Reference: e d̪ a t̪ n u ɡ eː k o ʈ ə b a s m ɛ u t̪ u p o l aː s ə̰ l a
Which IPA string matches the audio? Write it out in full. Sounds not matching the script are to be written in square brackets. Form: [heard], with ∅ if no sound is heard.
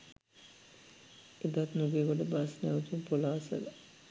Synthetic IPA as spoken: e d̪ a t̪ n u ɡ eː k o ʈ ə b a s [n] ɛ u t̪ u p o l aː s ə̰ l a